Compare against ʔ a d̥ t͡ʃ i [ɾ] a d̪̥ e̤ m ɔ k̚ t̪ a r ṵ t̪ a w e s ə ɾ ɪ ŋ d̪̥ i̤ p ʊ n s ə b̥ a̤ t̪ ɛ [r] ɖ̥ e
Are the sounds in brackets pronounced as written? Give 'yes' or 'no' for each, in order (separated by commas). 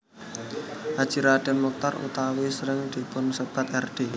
yes, yes